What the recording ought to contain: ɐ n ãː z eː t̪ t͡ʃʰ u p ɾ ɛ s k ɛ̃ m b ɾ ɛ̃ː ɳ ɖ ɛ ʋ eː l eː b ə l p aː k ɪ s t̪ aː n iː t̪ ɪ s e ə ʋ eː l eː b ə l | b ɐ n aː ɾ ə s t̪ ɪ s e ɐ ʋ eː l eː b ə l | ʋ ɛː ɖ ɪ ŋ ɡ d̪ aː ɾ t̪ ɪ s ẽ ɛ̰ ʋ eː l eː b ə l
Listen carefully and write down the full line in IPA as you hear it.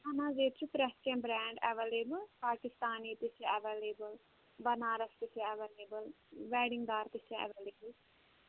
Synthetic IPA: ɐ n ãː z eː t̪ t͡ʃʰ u p ɾ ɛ s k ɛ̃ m b ɾ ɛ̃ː ɳ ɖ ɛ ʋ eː l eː b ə l p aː k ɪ s t̪ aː n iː t̪ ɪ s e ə ʋ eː l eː b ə l | b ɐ n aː ɾ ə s t̪ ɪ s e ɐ ʋ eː l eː b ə l | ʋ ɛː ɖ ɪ ŋ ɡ d̪ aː ɾ t̪ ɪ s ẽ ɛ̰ ʋ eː l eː b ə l

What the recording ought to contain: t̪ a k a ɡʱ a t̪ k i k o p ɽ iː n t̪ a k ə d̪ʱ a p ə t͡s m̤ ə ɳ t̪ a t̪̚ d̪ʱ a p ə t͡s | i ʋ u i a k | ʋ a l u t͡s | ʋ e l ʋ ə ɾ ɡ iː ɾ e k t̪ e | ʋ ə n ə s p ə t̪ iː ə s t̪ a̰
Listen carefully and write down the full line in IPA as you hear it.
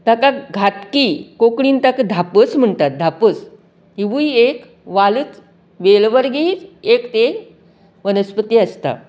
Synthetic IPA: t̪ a k a ɡʱ a t̪ k i k o k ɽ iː n t̪ a k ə d̪ʱ a p ə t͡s m̤ ə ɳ t̪ a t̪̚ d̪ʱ a p ə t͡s | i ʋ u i e k | ʋ a l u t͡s | ʋ e l ʋ ə ɾ ɡ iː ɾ e k t̪ e | ʋ ə n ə s p ə t̪ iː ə s t̪ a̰

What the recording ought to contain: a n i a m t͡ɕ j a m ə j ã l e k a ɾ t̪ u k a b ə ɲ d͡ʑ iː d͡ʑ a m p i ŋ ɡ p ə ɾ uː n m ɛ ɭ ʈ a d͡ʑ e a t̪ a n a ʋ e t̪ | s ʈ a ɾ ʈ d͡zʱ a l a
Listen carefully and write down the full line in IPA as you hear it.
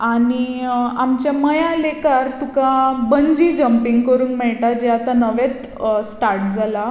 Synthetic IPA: a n i a m t͡ɕ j a m ə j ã l e k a ɾ t̪ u k a b ə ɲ d͡ʑ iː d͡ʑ ə m p i ŋ ɡ k ə ɾ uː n m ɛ ɭ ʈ a d͡ʑ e a t̪ a n ə ʋ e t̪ | s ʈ a ɾ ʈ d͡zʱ a l a

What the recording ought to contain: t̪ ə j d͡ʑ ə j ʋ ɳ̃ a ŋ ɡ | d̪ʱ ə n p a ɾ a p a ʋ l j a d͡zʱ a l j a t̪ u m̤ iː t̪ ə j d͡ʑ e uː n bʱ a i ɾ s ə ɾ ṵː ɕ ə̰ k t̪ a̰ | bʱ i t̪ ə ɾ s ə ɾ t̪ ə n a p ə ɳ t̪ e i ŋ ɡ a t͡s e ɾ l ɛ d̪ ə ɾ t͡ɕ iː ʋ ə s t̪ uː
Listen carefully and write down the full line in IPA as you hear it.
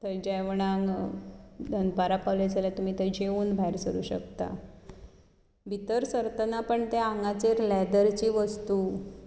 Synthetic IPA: t̪ ə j d͡ʑ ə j ʋ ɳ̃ a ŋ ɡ | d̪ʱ ə n p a ɾ a p a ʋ l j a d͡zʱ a l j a t̪ u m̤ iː t̪ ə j d͡ʑ e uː n bʱ a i ɾ s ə ɾ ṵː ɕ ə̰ k t̪ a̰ | bʱ i t̪ ə ɾ s ə ɾ t̪ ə n a p ə ɳ t̪ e a ŋ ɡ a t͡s e ɾ l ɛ d̪ ə ɾ t͡ɕ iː ʋ ə s t̪ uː

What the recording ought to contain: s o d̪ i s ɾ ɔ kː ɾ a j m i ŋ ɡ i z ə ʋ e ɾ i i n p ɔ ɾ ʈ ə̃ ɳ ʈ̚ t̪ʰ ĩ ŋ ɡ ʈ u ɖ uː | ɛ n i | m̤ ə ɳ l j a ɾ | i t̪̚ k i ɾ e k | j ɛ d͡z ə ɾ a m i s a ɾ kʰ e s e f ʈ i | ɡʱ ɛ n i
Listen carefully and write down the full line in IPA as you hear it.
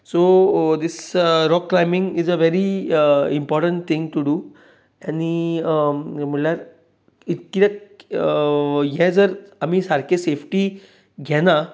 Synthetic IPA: s o d̪ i s ɾ ɔ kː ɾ a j m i ŋ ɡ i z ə ʋ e ɾ i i m p ɔ ɾ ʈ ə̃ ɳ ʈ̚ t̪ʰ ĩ ŋ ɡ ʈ u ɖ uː | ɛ n i | m̤ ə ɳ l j a ɾ | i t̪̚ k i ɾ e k | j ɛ d͡z ə ɾ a m i s a ɾ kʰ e s e f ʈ i | ɡʱ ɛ n a

